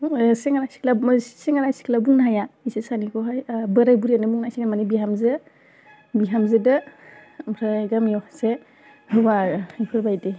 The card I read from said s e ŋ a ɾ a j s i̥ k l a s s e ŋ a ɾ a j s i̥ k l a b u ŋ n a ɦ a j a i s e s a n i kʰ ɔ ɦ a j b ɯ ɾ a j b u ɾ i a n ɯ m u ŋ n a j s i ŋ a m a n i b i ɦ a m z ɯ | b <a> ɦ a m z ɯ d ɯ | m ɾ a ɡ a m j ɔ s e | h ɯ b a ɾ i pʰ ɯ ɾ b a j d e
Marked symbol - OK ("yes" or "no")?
no